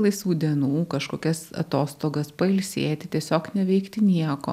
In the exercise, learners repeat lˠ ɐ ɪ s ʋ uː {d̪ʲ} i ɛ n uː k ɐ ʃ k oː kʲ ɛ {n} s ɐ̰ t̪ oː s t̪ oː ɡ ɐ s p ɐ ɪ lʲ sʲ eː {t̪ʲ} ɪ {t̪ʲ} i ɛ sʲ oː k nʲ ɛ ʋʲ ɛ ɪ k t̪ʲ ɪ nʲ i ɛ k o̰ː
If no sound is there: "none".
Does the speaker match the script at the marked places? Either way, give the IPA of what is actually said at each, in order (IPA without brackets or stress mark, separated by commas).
d̪ʲ, none, t̪ʲ, t̪ʲ